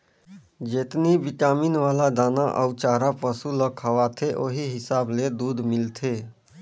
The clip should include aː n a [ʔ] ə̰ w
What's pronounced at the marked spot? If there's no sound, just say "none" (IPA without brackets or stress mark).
ʔ